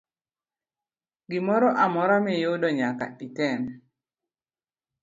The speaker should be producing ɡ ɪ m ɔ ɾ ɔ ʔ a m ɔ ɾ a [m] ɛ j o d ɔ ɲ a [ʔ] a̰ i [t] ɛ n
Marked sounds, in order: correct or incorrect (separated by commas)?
correct, incorrect, correct